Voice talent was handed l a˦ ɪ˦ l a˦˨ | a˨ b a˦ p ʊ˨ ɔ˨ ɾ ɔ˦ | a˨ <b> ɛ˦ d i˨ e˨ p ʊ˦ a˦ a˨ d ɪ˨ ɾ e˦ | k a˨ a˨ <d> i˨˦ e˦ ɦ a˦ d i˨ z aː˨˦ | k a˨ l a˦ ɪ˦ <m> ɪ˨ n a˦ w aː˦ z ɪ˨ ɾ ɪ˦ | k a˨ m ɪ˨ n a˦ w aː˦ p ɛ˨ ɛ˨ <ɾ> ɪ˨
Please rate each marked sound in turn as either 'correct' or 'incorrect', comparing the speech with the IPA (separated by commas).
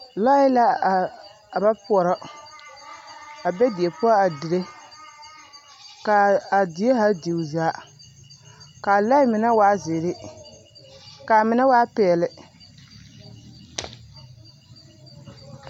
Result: correct, correct, correct, incorrect